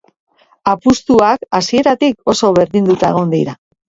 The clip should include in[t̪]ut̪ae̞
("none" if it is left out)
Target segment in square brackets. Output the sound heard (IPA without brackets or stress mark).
d̪